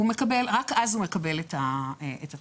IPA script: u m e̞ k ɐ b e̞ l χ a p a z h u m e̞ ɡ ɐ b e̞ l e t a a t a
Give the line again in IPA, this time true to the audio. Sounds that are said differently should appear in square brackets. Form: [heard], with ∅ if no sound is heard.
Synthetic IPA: u m e̞ k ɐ b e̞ l [ʁ] a [k] a z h u m e̞ [k] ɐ b e̞ l e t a [e] t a

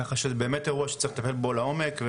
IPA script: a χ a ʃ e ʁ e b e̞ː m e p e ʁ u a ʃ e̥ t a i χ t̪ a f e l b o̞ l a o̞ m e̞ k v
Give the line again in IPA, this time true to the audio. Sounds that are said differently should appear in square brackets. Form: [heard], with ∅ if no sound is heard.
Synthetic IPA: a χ a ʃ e [z] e b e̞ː m e [t] e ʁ u a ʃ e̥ [t͡s] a i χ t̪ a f e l b o̞ l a o̞ m e̞ k v

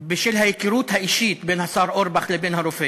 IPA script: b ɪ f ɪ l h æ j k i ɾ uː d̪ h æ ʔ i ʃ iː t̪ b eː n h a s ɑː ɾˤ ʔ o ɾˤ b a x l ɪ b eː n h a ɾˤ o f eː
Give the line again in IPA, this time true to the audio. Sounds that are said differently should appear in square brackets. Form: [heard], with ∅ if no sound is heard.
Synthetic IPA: b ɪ [ʃ] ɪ l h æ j k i ɾ uː [t̪] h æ ʔ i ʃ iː t̪ b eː n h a s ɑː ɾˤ ʔ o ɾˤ b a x l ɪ b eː n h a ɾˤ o f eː

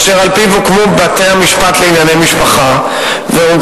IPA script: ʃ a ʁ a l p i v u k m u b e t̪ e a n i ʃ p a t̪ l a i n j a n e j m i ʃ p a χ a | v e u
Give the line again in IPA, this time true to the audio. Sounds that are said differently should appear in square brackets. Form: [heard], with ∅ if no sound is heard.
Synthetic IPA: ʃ [e] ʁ a l p i v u k m u b [a] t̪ e a [m] i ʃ p a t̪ l [e] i n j a n e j m i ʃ p a χ a | v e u

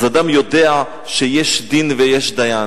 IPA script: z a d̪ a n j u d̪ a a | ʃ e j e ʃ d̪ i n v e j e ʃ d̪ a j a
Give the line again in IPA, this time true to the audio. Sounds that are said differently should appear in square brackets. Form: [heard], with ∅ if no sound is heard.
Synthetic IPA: z a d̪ a [m] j [o] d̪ [e] a | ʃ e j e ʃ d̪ i n v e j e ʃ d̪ a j a

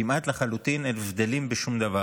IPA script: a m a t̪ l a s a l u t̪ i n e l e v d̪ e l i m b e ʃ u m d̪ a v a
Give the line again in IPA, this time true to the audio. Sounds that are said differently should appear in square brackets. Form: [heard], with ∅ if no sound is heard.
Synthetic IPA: [i] m a t̪ l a [χ] a l u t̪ i n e l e v d̪ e l i m b e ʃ u m d̪ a v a

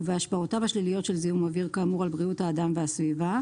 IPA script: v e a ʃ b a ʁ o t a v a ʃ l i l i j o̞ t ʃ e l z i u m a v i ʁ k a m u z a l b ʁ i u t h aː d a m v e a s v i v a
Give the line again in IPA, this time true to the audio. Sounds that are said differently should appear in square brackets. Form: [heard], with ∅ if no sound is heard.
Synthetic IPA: v e a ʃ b a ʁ o t a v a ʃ l i l i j o̞ t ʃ e l z i u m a v i ʁ k a m u [ʁ] a l b ʁ i u t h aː d a m v e a s v i v a

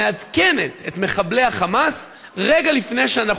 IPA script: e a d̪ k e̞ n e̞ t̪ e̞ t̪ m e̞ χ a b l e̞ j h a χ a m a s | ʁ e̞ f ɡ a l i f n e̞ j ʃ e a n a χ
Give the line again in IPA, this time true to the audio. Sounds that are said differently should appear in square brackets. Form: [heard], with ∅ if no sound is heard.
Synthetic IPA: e a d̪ k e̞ n e̞ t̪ e̞ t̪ m e̞ χ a b l e̞ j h a χ a m a s | ʁ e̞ [∅] ɡ a l i f n e̞ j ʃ e a n a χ

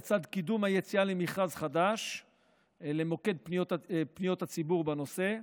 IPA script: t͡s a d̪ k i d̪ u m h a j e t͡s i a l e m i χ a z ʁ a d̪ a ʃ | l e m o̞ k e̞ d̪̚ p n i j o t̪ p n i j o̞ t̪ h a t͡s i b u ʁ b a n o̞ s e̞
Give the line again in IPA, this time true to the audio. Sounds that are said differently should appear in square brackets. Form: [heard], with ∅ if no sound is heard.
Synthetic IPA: t͡s a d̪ k i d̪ u m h a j e t͡s i a l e m i χ a z [χ] a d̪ a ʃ | l e m o̞ k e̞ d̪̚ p n i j o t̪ p n i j o̞ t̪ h a t͡s i b u ʁ b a n o̞ s e̞

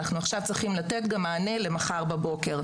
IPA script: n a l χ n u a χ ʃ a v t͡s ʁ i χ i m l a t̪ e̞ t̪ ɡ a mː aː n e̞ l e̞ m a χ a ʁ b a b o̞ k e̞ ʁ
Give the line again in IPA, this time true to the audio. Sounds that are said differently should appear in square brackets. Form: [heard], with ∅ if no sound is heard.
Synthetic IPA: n a [∅] χ n u a χ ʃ a v t͡s ʁ i χ i m l a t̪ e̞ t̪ ɡ a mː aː n e̞ l e̞ m a χ a ʁ b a b o̞ k e̞ ʁ

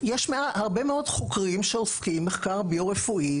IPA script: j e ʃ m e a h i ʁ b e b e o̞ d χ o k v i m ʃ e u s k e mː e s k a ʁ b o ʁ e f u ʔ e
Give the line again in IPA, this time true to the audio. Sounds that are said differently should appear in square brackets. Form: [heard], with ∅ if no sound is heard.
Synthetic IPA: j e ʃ m e a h [a] ʁ b e [m] e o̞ d χ o k [ʁ] i m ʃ e [o] s k [i] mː e [χ] k a ʁ b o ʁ e f u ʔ [i]

